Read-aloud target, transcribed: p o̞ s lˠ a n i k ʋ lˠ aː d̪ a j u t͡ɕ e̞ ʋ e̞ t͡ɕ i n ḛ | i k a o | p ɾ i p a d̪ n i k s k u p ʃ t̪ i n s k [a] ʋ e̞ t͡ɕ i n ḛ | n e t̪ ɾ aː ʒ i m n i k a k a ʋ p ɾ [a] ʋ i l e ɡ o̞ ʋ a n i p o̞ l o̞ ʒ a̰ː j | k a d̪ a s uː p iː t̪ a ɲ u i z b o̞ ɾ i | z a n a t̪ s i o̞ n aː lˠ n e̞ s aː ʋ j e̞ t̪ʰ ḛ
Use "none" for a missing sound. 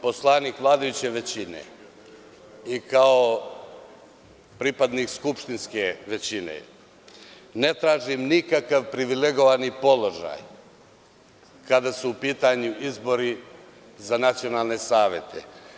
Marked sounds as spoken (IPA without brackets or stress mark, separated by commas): e, i